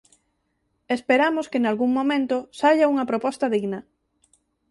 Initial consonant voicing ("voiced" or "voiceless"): voiceless